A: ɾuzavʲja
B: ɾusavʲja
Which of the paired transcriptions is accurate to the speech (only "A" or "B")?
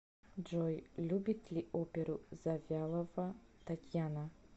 A